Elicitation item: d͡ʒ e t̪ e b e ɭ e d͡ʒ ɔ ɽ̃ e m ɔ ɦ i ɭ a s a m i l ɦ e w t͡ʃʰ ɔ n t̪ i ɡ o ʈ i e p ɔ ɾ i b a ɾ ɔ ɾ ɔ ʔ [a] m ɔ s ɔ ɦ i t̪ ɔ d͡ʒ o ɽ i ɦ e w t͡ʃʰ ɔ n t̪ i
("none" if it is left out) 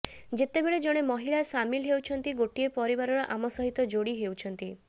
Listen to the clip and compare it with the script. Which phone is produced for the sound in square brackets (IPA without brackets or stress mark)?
a